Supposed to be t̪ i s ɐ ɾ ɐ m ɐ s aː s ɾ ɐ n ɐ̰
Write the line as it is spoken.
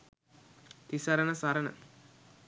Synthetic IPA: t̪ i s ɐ ɾ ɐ n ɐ s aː ɾ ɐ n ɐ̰